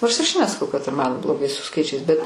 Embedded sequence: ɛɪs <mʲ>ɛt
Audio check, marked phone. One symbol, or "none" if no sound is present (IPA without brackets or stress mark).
bʲ